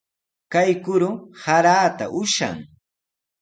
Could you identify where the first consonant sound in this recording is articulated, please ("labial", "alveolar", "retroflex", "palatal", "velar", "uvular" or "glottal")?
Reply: velar